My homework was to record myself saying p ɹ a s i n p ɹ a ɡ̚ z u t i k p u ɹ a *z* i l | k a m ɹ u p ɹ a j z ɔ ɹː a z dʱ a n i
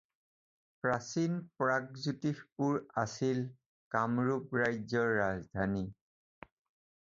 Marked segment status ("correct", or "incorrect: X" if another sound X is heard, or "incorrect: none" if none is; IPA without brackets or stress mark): incorrect: s